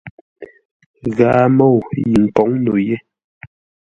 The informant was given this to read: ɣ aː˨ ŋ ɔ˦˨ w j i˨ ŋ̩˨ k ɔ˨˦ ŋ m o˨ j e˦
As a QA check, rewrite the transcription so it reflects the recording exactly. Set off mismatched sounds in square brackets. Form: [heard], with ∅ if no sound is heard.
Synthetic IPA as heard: ɣ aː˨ [m] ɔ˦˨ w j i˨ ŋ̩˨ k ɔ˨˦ ŋ [n] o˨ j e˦